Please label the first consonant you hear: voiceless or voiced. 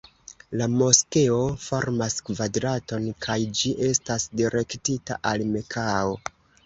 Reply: voiced